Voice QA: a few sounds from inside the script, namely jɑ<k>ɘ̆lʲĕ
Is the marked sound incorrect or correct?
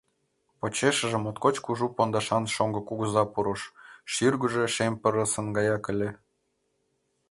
correct